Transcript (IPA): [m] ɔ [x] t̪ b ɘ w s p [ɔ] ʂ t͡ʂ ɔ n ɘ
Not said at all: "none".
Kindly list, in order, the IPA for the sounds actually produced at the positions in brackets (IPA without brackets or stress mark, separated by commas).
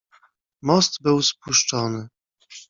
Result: m, s, u